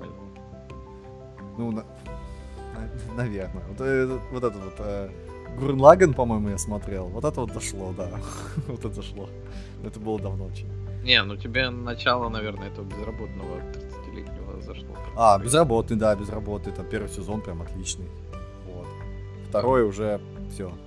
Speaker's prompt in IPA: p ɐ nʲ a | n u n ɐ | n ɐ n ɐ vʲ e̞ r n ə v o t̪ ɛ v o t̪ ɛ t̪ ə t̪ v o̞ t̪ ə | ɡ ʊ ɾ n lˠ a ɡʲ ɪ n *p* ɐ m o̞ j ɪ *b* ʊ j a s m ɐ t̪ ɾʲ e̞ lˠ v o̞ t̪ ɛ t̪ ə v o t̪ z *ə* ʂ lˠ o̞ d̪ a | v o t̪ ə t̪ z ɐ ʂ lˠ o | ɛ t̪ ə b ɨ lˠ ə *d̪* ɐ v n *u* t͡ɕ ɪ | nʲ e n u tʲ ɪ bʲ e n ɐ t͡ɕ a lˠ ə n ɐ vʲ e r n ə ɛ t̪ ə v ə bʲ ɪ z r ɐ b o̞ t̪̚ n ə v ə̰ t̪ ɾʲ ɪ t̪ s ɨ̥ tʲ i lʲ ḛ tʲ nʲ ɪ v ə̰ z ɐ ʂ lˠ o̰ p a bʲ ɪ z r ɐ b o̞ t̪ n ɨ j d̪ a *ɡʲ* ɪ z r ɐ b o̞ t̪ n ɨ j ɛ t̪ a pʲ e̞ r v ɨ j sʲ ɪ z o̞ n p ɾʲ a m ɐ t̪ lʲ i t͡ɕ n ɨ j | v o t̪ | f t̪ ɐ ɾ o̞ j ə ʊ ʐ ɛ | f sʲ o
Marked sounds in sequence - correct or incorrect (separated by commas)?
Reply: correct, incorrect, incorrect, correct, incorrect, incorrect